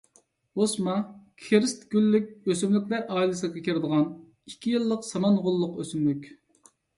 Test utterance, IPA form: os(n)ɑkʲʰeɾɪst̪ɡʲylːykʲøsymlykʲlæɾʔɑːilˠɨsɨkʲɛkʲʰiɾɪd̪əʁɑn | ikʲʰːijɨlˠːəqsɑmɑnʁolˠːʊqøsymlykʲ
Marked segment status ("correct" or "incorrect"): incorrect